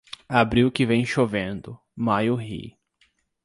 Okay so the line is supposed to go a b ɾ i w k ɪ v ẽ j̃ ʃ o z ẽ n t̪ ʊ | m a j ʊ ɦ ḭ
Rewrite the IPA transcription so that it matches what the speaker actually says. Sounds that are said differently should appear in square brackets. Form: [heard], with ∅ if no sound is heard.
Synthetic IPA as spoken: a b ɾ i w k ɪ v ẽ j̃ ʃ o [v] ẽ n [d̪] ʊ | m a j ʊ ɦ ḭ